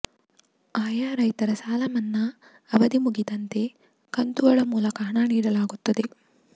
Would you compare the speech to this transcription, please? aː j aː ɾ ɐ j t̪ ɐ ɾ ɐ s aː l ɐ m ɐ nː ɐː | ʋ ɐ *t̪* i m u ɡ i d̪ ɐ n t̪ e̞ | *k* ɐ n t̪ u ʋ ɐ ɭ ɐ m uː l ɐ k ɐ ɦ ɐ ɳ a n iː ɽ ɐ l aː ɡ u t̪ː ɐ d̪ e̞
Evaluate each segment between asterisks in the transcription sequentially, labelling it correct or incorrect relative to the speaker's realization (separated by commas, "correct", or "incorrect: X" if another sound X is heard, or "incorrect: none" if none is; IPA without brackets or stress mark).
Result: incorrect: d̪, correct